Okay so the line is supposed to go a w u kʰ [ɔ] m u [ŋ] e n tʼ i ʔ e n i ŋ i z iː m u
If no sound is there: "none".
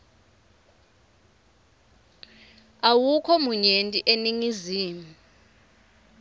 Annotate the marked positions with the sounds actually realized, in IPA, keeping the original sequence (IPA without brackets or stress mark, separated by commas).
ɔ, ɲ